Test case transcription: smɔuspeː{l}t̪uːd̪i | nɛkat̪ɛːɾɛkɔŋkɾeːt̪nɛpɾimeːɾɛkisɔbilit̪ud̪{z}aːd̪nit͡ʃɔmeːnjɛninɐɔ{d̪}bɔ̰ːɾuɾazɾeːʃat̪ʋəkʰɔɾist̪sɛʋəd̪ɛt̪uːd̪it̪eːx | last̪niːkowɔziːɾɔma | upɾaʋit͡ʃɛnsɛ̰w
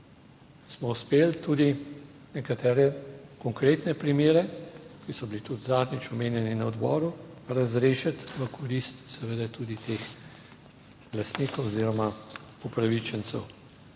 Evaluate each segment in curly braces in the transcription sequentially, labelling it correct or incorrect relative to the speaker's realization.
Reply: correct, correct, correct

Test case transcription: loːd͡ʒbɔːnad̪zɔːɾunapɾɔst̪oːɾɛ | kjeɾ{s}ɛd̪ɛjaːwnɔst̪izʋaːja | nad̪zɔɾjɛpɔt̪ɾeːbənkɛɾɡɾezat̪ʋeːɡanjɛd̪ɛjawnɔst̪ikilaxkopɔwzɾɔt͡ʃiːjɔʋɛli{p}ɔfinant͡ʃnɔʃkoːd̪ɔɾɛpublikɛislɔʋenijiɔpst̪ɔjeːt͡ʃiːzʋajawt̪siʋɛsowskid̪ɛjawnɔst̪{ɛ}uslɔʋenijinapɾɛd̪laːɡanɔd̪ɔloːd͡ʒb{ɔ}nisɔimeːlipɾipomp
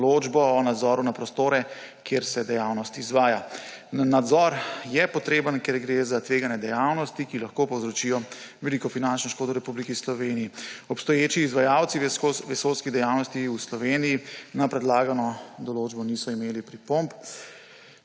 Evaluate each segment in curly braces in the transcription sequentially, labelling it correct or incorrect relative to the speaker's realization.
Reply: correct, incorrect: k, incorrect: i, correct

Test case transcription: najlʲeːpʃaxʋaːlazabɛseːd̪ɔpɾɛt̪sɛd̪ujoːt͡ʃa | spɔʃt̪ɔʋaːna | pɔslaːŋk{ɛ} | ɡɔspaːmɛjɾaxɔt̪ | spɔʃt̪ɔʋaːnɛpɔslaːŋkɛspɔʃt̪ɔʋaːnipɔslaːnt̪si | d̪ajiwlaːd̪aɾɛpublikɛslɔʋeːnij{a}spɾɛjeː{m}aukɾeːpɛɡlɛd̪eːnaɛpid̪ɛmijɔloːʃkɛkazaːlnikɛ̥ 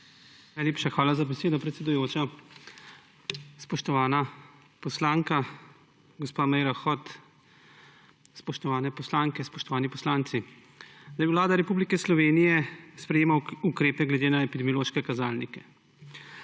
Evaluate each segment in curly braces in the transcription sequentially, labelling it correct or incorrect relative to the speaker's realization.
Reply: incorrect: a, incorrect: ɛ, correct

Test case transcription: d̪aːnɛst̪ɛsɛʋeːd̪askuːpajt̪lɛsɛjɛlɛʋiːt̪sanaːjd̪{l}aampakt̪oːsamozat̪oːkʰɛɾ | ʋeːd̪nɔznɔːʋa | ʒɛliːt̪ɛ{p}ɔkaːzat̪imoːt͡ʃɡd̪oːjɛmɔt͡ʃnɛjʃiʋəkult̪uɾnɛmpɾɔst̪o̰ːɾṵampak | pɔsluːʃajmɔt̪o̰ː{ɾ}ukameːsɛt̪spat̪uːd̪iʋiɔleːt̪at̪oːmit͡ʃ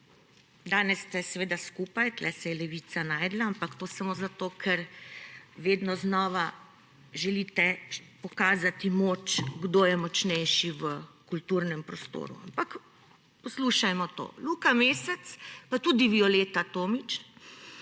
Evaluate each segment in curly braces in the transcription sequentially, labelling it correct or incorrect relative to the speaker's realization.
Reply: correct, correct, incorrect: l

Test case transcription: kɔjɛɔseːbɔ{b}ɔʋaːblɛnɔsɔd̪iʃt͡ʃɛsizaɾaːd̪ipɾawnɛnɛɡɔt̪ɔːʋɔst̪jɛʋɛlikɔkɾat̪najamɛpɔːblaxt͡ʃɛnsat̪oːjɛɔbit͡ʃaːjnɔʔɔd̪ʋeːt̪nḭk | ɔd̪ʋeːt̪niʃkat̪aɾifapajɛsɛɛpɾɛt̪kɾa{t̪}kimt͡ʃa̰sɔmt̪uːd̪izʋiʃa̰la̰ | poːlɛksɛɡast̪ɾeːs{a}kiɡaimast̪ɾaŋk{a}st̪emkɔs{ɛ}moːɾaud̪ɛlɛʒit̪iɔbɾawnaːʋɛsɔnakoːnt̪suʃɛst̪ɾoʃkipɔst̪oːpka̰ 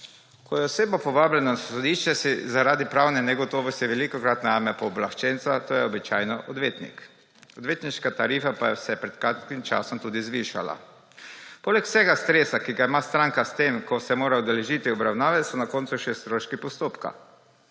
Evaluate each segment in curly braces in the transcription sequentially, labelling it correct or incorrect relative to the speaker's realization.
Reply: incorrect: p, correct, correct, correct, correct

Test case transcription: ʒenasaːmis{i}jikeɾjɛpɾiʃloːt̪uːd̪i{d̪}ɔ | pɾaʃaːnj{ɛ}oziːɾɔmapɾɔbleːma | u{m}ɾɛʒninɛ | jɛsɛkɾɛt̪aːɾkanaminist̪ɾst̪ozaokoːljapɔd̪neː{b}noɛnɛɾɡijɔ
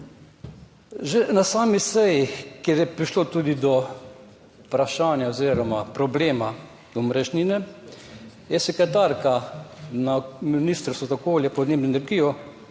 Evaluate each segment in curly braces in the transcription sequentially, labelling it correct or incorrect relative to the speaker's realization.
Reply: incorrect: ɛ, correct, incorrect: a, correct, correct

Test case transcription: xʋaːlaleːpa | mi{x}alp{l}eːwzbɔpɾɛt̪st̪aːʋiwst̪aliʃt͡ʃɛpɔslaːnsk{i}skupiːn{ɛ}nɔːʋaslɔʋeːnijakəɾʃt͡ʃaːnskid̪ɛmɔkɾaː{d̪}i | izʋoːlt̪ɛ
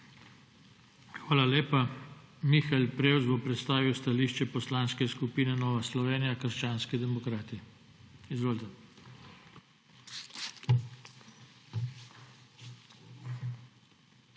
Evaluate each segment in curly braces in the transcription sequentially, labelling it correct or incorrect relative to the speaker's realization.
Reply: correct, incorrect: ɾ, incorrect: ɛ, correct, incorrect: t̪

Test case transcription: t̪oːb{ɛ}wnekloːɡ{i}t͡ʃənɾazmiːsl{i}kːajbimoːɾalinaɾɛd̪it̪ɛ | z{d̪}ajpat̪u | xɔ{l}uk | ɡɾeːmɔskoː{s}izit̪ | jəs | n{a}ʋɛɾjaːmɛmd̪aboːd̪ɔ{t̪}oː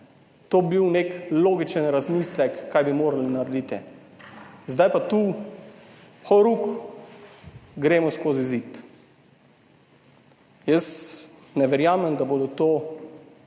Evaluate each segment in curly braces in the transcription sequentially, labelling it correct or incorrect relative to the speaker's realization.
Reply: incorrect: i, correct, incorrect: ɛ, correct, incorrect: ɾ, incorrect: z, incorrect: ɛ, correct

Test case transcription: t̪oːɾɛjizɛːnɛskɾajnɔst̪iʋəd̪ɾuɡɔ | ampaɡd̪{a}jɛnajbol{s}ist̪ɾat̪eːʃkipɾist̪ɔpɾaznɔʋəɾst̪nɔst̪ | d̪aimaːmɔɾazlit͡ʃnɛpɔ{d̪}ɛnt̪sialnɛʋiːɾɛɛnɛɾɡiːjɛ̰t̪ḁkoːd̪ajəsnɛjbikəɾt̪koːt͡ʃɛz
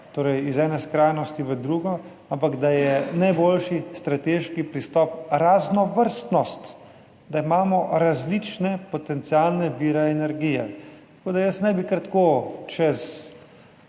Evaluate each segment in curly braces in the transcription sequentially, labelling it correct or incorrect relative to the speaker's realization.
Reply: correct, incorrect: ʃ, incorrect: t̪

